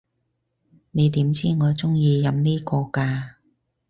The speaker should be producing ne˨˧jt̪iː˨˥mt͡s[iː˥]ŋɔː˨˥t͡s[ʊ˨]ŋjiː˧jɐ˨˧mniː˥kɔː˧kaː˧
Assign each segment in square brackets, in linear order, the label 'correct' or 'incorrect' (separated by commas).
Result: correct, incorrect